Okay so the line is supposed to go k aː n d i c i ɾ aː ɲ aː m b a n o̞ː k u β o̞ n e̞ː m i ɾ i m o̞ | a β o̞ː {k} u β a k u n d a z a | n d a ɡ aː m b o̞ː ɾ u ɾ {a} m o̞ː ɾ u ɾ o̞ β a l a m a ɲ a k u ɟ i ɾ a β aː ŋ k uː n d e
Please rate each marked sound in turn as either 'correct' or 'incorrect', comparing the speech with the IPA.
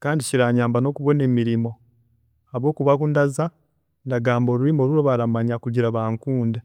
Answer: correct, incorrect

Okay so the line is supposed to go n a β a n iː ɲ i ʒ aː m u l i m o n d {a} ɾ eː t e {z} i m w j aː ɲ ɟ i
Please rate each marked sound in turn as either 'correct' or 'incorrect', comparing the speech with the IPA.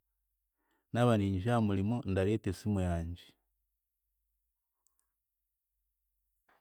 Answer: correct, incorrect

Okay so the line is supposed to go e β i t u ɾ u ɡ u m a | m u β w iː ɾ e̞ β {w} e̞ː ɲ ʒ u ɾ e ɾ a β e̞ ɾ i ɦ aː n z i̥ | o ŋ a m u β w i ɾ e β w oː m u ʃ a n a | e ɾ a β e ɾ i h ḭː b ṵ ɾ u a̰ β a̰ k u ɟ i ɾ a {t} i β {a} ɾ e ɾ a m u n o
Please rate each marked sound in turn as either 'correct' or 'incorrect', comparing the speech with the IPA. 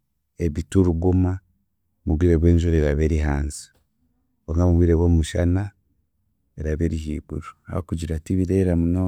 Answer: correct, correct, incorrect

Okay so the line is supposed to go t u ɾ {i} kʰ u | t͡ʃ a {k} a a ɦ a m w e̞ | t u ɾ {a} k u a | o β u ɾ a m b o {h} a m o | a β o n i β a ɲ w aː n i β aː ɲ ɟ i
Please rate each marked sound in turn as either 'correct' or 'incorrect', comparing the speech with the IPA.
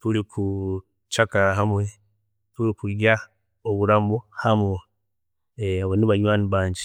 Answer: correct, correct, incorrect, correct

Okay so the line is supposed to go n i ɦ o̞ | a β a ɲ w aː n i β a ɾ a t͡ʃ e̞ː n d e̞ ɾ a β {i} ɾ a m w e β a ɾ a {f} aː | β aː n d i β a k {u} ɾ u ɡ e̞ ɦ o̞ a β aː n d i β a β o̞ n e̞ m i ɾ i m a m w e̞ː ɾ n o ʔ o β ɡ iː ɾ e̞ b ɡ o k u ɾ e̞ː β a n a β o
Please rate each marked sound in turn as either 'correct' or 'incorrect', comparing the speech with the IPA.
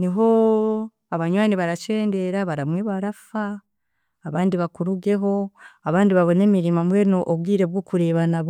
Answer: incorrect, correct, correct

